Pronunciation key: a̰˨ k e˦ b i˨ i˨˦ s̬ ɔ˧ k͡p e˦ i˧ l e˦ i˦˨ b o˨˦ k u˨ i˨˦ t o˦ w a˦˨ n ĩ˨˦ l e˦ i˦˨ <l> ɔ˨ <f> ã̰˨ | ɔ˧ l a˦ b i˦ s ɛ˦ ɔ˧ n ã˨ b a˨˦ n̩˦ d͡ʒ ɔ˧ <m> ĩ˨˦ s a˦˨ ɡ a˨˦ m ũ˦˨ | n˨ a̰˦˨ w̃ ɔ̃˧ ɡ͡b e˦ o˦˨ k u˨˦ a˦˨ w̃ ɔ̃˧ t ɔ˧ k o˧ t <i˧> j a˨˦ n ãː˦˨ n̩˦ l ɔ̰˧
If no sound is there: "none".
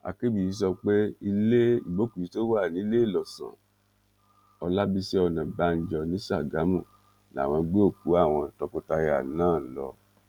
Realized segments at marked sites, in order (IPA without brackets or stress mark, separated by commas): l, s, n, a˧